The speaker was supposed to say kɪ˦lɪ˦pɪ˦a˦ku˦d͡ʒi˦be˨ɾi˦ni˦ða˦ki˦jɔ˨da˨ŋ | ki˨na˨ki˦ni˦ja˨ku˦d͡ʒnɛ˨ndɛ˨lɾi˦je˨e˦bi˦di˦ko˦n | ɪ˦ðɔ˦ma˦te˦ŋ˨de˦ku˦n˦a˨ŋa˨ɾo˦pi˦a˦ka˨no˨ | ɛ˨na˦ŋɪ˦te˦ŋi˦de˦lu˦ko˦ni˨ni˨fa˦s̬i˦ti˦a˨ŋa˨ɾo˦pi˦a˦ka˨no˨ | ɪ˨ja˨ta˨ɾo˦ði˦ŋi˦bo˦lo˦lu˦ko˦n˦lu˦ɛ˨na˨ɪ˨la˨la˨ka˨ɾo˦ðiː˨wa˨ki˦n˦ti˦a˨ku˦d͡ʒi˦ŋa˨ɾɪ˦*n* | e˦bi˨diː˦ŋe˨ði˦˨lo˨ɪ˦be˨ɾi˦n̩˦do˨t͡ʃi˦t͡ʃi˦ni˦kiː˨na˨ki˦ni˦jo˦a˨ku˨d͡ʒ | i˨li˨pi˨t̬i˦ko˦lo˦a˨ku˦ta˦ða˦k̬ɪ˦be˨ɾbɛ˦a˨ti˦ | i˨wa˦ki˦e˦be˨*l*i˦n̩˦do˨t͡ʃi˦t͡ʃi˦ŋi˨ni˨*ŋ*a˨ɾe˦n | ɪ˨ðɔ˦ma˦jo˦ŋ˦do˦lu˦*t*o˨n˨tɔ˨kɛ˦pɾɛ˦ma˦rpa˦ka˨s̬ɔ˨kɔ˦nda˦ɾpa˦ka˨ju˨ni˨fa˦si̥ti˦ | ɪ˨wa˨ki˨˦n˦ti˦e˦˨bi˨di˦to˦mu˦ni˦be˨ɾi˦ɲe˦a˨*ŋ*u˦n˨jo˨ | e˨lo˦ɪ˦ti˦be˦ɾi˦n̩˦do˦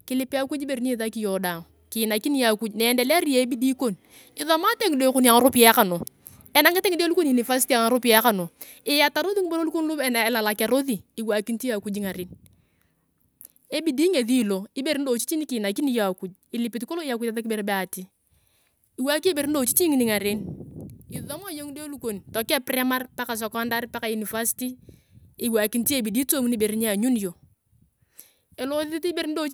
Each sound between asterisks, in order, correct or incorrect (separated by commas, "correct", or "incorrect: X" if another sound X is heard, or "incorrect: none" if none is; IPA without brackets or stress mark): correct, incorrect: ɾ, correct, incorrect: k, incorrect: ɲ